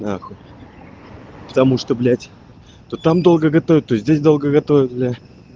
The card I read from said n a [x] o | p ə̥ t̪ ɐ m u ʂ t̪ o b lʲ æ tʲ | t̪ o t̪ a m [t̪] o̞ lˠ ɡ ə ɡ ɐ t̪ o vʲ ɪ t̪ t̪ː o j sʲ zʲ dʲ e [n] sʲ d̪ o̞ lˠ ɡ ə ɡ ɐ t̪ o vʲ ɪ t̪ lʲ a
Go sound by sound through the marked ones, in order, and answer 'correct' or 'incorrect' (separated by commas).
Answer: correct, incorrect, incorrect